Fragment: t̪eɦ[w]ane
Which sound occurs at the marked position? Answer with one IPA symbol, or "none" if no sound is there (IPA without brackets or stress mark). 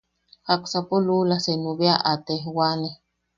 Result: w